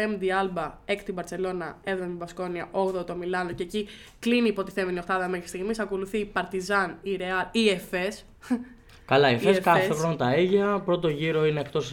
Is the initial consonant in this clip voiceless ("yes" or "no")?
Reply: no